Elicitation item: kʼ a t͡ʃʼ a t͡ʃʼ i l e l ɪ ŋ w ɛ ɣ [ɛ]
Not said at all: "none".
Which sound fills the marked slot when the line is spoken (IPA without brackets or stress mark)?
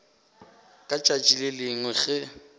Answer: ɛ